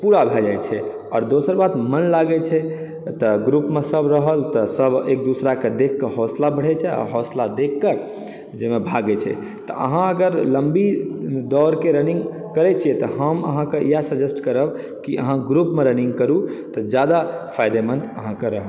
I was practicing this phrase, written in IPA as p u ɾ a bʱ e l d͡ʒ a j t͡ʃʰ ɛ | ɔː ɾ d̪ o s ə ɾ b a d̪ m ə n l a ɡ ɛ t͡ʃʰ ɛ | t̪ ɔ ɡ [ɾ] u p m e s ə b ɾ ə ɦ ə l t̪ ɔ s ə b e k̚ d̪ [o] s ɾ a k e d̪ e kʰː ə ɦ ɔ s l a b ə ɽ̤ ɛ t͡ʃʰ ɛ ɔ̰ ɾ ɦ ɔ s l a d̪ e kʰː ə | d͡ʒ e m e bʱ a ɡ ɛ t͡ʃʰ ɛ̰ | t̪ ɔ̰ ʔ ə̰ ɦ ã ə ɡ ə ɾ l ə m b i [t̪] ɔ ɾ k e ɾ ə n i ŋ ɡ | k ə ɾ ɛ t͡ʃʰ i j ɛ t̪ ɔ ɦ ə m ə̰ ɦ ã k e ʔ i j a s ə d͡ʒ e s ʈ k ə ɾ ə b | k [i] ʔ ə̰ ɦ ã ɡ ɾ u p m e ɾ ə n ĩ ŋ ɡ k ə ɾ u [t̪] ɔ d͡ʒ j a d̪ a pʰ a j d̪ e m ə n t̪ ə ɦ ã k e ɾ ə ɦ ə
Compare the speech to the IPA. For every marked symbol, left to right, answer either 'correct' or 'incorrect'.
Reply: correct, incorrect, incorrect, correct, correct

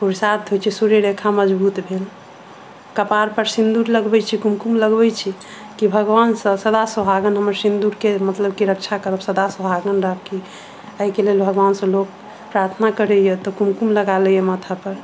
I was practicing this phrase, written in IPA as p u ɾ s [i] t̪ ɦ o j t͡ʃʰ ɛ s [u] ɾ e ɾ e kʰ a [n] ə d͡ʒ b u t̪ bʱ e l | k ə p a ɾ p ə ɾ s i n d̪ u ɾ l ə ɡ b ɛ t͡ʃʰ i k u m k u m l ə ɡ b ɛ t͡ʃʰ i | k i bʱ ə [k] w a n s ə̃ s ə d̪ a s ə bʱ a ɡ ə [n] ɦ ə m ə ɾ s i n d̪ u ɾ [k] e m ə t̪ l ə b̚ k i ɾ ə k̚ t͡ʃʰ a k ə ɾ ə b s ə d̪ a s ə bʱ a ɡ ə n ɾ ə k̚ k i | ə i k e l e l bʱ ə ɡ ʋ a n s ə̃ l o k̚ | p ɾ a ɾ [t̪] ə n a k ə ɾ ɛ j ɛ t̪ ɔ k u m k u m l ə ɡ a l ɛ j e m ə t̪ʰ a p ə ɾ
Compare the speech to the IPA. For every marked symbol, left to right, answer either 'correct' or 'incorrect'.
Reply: incorrect, correct, incorrect, incorrect, correct, correct, incorrect

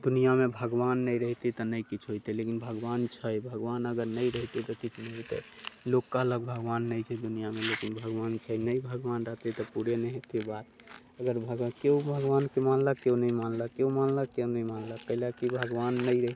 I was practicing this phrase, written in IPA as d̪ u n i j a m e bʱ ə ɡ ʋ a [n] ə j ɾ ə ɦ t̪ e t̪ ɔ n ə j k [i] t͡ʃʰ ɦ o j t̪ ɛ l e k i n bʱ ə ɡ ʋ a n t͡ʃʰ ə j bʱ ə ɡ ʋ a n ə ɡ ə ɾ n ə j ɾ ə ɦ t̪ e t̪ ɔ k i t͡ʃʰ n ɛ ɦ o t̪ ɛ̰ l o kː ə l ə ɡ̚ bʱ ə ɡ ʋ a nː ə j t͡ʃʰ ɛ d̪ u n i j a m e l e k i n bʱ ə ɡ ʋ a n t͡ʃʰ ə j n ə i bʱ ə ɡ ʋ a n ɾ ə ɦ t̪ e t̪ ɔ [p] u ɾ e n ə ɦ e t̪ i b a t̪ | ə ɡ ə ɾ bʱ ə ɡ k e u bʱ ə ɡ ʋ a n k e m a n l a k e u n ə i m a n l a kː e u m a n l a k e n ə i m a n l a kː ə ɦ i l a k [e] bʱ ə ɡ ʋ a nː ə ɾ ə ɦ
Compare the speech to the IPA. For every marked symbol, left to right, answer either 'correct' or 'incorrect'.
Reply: incorrect, correct, correct, incorrect

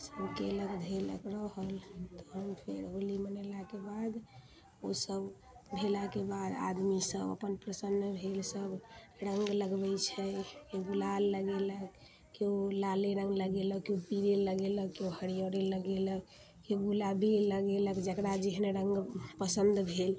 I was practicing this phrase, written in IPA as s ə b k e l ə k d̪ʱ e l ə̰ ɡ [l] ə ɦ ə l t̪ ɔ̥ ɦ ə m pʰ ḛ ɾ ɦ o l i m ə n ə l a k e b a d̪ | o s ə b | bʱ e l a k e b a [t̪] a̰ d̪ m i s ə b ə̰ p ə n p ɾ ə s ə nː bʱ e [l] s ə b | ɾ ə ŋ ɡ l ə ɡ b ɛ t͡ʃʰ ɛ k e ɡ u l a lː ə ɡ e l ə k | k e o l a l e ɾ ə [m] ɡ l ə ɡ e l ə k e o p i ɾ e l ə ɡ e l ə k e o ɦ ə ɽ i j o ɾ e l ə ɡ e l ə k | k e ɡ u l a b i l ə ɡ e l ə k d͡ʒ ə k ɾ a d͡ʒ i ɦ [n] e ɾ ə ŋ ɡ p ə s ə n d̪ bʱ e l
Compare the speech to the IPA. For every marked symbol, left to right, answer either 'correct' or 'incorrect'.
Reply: incorrect, incorrect, correct, incorrect, correct

